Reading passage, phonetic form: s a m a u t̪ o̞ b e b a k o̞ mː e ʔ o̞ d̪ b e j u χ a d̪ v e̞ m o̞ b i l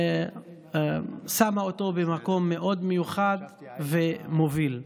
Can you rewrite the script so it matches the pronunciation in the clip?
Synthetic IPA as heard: s a m a o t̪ o̞ b e m a k o̞ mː e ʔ o̞ d̪ m e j u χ a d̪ v e̞ m o̞ v i l